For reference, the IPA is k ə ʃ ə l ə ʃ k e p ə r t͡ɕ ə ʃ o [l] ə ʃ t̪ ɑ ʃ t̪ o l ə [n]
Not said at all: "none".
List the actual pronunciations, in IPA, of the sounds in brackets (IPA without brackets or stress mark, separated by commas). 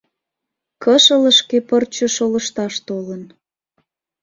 l, n